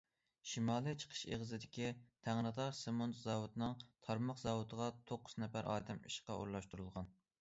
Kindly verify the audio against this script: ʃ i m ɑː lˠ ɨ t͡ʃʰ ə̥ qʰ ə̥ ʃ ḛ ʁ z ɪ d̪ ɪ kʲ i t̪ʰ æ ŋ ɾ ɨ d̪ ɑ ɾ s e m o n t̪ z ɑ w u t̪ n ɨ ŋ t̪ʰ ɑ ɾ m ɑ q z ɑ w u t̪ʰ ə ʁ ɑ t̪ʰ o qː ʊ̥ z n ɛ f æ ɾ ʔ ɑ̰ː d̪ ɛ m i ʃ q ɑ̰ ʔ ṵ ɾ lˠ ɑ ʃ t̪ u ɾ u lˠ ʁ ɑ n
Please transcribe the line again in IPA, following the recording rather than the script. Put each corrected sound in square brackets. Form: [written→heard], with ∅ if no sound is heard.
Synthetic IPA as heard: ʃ i m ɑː lˠ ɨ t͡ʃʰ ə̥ qʰ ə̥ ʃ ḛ ʁ z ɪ d̪ ɪ kʲ i t̪ʰ æ ŋ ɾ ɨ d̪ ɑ ɾ s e m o n t̪ z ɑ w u t̪ n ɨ ŋ t̪ʰ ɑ ɾ m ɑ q z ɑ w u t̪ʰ ə ʁ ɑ t̪ʰ o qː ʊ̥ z n ɛ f æ ɾ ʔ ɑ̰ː d̪ ɛ m i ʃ q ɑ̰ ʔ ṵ ɾ lˠ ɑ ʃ t̪ u ɾ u lˠ ʁ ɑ n

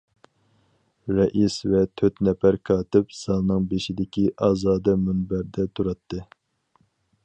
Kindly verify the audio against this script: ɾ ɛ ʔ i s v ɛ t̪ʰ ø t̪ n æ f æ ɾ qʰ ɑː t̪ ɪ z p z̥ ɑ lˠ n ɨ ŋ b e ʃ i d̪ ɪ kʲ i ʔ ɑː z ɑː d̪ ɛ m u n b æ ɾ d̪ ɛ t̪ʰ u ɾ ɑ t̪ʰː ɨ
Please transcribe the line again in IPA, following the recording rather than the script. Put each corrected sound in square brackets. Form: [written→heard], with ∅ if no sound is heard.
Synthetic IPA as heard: ɾ ɛ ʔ i s v ɛ t̪ʰ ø t̪ n [æ→ɛ] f æ ɾ [qʰ→kʰ] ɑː t̪ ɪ [z→∅] p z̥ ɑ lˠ n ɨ ŋ b e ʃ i d̪ ɪ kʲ i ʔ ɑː z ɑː d̪ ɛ m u n b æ ɾ d̪ ɛ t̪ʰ u ɾ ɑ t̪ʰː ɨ

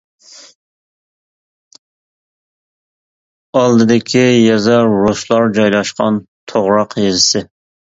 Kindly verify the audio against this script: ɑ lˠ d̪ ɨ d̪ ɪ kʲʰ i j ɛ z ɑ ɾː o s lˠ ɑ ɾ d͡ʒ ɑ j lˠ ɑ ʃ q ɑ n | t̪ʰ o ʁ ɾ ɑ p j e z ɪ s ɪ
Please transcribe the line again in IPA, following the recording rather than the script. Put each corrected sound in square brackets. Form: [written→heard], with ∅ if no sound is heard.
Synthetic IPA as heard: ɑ lˠ d̪ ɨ d̪ ɪ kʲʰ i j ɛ z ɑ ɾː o s lˠ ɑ ɾ d͡ʒ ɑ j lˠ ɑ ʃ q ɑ n | t̪ʰ o ʁ ɾ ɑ [p→q] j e z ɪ s ɪ

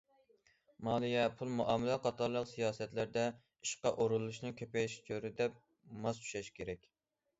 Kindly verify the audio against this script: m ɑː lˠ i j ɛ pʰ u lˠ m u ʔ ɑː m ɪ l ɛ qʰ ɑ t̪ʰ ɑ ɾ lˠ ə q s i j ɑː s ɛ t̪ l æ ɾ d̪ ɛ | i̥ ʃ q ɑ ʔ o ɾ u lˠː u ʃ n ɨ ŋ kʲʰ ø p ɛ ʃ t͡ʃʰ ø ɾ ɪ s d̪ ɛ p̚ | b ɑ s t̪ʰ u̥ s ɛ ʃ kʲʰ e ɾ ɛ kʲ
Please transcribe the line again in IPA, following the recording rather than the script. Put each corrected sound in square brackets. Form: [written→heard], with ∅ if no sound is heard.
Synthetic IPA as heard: m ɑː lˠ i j ɛ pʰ u lˠ m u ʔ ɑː m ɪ l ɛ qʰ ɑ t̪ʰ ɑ ɾ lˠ ə q s i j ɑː s ɛ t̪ l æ ɾ d̪ ɛ | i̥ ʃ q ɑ ʔ o ɾ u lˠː u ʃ n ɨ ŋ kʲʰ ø p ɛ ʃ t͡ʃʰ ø ɾ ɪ [s→∅] d̪ ɛ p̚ | [b→m] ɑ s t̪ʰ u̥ [s→ʃ] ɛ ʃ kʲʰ e ɾ ɛ kʲ

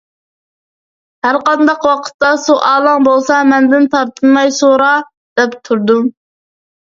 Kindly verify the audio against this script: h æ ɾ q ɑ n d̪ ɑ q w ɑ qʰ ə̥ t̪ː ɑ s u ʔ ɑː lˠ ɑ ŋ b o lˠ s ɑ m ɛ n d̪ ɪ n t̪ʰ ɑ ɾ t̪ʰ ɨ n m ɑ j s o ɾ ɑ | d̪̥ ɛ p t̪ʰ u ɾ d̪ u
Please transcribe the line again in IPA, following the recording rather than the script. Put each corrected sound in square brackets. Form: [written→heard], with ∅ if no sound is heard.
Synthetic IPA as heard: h æ ɾ q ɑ n d̪ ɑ q w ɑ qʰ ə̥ t̪ː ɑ s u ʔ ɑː lˠ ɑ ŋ b o lˠ s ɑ m ɛ n d̪ ɪ n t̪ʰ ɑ ɾ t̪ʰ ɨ n m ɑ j s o ɾ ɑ | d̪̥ ɛ p t̪ʰ u ɾ d̪ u

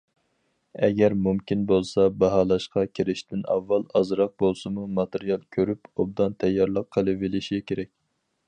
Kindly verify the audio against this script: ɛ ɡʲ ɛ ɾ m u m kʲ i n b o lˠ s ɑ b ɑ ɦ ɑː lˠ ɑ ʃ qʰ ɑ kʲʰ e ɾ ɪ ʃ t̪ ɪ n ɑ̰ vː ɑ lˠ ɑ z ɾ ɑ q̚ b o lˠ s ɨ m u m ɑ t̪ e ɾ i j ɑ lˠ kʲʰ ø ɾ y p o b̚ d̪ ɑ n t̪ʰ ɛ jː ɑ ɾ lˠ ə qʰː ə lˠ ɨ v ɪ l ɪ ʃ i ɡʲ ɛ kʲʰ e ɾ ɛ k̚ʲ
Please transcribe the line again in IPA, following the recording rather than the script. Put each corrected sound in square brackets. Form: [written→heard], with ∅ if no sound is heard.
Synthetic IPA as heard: ɛ ɡʲ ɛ ɾ m u m kʲ i n b o lˠ s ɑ b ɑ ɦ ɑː lˠ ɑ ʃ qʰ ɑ kʲʰ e ɾ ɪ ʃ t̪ ɪ n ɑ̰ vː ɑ lˠ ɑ z ɾ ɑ q̚ b o lˠ s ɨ m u m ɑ t̪ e ɾ i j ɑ lˠ kʲʰ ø ɾ y p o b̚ d̪ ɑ n t̪ʰ ɛ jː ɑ ɾ lˠ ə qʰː ə lˠ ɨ v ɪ l ɪ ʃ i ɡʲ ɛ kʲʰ e ɾ ɛ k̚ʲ

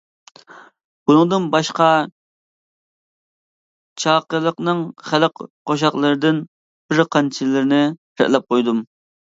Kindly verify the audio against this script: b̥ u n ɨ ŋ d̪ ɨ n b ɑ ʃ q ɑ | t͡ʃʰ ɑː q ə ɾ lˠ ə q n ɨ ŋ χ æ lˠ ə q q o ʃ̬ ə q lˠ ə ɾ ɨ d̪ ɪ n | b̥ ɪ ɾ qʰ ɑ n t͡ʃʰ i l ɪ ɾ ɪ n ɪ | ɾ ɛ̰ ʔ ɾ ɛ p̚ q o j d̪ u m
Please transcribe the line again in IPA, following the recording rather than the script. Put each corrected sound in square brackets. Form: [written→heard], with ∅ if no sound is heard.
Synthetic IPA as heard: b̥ u n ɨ ŋ d̪ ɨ n b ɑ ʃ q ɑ | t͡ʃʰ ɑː q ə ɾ lˠ ə q n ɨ ŋ χ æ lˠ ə q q o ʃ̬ [ə→ɑ] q lˠ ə ɾ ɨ d̪ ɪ n | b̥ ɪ ɾ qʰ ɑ n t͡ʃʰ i l ɪ ɾ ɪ n ɪ | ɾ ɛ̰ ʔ [ɾ→l] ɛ p̚ q o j d̪ u m

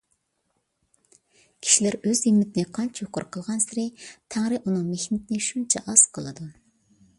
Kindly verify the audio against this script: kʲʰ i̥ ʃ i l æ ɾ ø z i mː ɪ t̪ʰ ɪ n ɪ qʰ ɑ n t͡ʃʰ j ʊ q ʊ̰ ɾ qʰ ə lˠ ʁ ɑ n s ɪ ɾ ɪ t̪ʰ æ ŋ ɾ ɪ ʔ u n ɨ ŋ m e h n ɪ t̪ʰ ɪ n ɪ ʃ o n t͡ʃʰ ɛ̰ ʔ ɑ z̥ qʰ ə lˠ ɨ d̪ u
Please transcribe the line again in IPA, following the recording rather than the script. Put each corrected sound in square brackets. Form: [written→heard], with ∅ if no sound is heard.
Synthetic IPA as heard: kʲʰ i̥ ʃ i l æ ɾ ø z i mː ɪ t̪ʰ ɪ n ɪ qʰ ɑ n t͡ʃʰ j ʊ q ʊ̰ ɾ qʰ ə lˠ ʁ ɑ n s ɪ ɾ ɪ t̪ʰ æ ŋ ɾ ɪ ʔ u n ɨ ŋ m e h n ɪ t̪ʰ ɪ n ɪ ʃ [o→u] n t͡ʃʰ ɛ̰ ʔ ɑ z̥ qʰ ə lˠ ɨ d̪ u

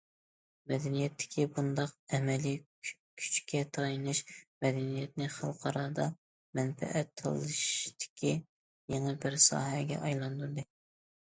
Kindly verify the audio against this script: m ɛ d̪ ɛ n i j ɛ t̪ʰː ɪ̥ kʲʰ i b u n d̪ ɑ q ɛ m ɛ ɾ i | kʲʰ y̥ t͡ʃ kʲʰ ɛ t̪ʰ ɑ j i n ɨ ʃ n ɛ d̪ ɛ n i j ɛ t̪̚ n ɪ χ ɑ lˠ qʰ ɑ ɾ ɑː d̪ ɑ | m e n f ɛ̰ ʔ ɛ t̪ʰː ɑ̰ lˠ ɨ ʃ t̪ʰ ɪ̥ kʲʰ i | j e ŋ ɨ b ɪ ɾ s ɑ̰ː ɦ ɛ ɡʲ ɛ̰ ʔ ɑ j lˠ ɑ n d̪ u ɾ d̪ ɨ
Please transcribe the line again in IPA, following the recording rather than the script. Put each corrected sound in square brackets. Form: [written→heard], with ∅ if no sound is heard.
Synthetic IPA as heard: m ɛ d̪ ɛ n i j ɛ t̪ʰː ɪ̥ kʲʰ i b u n d̪ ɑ q ɛ m ɛ [ɾ→l] i | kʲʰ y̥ t͡ʃ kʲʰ ɛ t̪ʰ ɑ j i n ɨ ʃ [n→m] ɛ d̪ ɛ n i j ɛ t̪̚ n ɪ χ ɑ lˠ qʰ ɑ ɾ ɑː d̪ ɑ | m [e→ɛ] n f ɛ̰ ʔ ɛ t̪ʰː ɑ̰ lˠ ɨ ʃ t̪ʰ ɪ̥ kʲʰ i | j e ŋ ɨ b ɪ ɾ s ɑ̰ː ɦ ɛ ɡʲ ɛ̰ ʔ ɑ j lˠ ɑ n d̪ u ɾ d̪ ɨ

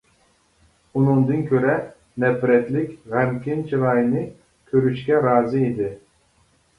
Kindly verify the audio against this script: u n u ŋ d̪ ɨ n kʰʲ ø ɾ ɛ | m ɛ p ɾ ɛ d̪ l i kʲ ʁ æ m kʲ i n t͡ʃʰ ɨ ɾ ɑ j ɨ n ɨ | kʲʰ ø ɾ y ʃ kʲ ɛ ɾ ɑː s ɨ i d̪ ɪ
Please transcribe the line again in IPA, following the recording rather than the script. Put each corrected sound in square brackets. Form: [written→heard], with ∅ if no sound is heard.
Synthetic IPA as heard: u n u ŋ d̪ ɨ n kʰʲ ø ɾ ɛ | [m→n] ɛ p ɾ ɛ [d̪→t̪] l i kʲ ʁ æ m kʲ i n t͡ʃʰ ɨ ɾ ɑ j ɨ n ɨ | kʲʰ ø ɾ y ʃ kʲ ɛ ɾ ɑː [s→z] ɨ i d̪ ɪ

